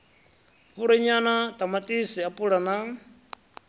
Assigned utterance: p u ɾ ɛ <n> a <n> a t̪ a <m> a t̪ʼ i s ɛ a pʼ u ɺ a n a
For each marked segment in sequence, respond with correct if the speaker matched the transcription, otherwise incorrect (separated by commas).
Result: incorrect, correct, correct